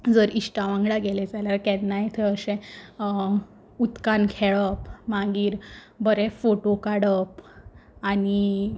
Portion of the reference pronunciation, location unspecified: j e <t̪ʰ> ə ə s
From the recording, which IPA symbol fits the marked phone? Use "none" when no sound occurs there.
t̪ʰ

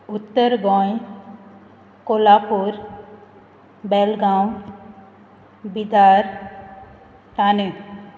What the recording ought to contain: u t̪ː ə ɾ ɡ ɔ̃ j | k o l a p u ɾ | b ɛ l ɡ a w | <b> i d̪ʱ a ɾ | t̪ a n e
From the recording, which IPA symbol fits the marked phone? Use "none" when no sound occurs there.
b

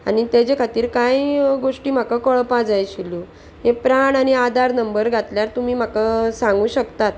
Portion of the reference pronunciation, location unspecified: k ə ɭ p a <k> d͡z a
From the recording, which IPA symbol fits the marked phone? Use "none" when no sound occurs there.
none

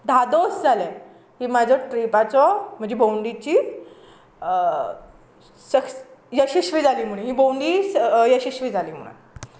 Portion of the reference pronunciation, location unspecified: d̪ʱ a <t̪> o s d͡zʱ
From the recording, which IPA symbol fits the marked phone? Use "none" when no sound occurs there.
d̪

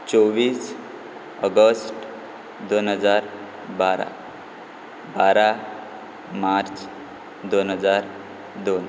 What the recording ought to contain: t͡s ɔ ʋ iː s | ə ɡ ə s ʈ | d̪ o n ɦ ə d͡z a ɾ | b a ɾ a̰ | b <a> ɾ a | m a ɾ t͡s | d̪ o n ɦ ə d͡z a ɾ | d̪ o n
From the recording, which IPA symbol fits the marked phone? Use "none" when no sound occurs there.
a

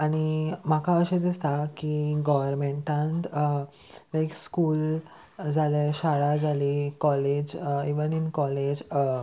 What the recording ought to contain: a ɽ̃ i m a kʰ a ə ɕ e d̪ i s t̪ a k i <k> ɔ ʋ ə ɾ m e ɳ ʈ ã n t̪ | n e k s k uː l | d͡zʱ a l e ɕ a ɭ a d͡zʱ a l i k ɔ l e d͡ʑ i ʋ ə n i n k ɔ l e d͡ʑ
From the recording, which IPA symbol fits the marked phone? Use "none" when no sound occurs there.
ɡ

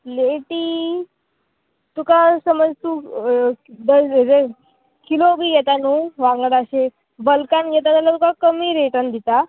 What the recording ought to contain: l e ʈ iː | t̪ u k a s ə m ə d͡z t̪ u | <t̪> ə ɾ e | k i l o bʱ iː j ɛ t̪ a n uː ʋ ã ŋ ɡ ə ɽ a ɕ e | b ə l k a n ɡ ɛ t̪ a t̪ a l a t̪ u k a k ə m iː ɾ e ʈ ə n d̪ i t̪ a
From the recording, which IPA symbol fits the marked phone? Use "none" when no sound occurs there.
d̪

